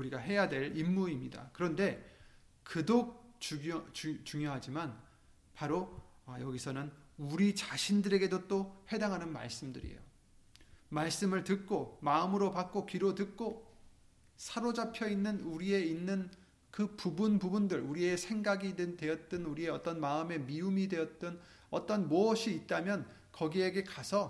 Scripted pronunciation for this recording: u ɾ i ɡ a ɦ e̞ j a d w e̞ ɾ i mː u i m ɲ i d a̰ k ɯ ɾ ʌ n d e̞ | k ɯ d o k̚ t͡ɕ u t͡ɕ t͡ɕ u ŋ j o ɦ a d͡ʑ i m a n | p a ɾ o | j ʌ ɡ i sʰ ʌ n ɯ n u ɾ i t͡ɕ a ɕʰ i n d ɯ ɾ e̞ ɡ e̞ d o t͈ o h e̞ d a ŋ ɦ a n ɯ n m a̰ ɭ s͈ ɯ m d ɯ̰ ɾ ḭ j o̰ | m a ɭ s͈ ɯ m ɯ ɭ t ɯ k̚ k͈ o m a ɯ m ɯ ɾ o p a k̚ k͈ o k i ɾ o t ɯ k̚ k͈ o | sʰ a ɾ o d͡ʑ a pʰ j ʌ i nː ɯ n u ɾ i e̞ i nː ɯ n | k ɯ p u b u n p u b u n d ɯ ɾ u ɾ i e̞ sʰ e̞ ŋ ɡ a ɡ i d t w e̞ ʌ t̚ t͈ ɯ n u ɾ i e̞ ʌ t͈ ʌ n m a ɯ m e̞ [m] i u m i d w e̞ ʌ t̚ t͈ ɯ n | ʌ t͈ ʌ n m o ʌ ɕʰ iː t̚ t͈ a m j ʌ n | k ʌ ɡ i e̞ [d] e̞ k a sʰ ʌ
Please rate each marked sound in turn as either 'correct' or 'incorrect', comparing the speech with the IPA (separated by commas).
correct, incorrect